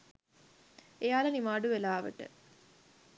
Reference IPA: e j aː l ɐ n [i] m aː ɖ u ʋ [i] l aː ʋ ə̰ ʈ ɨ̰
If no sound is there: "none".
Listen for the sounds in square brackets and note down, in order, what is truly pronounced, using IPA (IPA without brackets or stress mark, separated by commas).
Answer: i, e